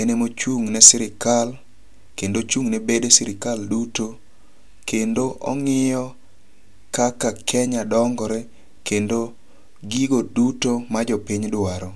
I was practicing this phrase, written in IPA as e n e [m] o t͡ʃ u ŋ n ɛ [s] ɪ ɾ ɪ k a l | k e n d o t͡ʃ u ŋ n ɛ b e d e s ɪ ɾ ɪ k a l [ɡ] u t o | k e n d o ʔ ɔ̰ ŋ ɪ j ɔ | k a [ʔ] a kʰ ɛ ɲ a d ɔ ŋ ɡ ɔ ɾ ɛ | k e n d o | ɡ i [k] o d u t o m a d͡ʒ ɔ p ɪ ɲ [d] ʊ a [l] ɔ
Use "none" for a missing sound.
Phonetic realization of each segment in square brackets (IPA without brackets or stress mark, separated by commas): m, s, d, k, ɡ, d, ɾ